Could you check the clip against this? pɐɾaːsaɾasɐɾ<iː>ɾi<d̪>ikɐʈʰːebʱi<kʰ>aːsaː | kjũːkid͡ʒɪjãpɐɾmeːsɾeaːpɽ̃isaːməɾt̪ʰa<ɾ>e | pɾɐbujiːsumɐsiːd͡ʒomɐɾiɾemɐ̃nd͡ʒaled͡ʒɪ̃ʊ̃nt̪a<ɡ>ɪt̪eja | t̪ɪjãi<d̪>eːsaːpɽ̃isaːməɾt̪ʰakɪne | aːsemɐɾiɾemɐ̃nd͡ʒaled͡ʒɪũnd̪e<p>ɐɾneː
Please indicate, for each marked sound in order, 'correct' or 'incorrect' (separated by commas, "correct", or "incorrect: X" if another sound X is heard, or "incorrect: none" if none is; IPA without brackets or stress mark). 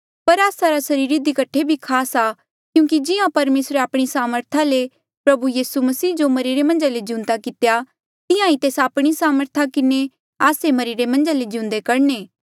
correct, correct, correct, incorrect: l, incorrect: k, incorrect: t̪, incorrect: k